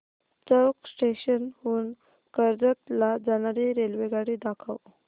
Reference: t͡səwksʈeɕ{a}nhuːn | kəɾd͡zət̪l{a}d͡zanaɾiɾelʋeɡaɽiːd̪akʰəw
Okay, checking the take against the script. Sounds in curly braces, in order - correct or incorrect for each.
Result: incorrect: ə, correct

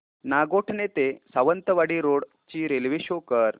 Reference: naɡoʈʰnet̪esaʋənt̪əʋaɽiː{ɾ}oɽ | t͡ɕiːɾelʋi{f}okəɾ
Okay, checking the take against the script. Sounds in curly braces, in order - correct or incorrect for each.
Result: correct, incorrect: ɕ

